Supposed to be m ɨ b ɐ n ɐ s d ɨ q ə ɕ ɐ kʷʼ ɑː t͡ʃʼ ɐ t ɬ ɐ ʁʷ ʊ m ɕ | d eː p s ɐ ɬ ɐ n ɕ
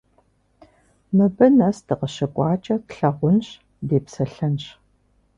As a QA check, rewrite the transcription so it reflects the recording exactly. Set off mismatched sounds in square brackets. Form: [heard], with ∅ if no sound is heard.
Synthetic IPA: m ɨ b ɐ n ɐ s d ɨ q ə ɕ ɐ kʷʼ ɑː t͡ʃʼ ɐ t ɬ ɐ ʁʷ ʊ [n] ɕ | d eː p s ɐ ɬ ɐ n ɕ